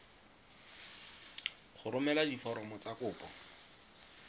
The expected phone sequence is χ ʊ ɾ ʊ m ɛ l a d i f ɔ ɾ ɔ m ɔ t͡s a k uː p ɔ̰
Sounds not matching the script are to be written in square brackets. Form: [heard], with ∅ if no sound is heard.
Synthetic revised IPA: χ ʊ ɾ ʊ m ɛ l a d i f ɔ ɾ ɔ m ɔ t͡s a k [ʊː] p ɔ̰